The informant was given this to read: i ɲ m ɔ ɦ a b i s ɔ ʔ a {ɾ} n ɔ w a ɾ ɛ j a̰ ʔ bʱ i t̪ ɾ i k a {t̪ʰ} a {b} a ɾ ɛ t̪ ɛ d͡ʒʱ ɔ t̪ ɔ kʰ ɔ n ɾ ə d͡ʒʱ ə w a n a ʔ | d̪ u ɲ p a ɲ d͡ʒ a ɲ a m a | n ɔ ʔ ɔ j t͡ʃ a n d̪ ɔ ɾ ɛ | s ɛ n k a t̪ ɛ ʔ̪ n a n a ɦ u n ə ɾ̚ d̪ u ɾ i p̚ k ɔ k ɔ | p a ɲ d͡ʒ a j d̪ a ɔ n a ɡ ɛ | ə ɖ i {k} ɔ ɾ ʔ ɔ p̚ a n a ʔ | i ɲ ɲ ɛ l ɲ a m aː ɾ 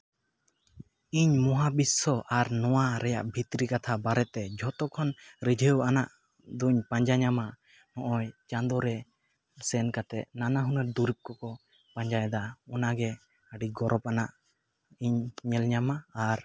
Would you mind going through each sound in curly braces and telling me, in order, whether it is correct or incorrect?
correct, correct, correct, incorrect: ɡ

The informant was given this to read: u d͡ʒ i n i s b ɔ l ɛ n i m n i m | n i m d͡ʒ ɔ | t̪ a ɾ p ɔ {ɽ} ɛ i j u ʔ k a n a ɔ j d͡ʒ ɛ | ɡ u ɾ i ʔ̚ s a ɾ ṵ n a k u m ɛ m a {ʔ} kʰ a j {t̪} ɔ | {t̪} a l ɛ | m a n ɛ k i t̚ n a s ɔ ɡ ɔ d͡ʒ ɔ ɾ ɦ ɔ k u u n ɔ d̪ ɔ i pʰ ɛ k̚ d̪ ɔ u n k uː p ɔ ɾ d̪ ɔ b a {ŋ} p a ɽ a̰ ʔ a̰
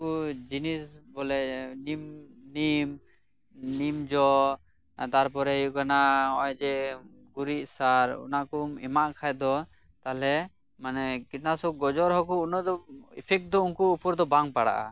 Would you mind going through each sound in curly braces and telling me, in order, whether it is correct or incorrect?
incorrect: ɾ, correct, incorrect: d̪, correct, correct

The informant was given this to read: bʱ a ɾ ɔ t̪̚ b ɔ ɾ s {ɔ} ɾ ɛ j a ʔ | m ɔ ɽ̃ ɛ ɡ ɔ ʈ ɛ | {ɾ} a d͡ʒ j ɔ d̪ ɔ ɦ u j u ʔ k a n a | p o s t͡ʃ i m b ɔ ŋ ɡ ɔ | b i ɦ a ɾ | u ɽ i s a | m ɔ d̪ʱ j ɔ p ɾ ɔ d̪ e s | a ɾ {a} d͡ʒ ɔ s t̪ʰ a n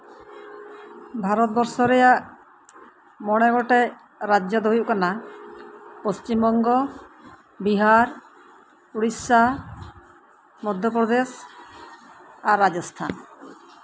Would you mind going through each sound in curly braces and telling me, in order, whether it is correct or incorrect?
correct, correct, correct

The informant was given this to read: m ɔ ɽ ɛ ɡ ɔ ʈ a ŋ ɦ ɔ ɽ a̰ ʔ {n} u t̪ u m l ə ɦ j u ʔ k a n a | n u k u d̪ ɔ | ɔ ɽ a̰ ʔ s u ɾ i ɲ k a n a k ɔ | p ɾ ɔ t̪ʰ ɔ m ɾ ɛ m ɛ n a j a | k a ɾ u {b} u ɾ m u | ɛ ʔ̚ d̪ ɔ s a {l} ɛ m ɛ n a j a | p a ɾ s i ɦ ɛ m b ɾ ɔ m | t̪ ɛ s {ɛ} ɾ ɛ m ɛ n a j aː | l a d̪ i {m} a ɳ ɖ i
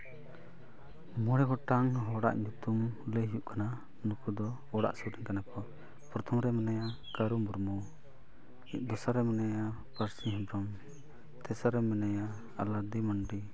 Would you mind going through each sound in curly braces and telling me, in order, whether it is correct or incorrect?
incorrect: ɲ, incorrect: m, incorrect: ɾ, incorrect: a, correct

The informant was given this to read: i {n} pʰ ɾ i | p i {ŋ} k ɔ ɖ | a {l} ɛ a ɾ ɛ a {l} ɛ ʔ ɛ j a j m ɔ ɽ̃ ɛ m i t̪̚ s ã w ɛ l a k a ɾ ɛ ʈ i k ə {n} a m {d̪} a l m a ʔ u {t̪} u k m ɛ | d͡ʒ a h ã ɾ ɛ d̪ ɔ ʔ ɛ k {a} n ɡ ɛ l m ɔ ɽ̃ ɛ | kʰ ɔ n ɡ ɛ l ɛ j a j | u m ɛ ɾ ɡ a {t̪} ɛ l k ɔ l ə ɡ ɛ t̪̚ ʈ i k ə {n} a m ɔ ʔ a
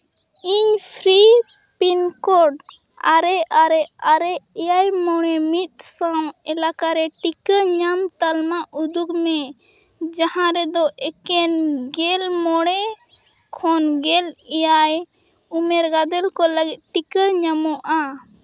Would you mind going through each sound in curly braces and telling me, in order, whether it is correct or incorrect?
incorrect: ɲ, incorrect: n, incorrect: ɾ, incorrect: ɾ, incorrect: ɲ, incorrect: t̪, incorrect: d̪, incorrect: ɛ, incorrect: d̪, incorrect: ɲ

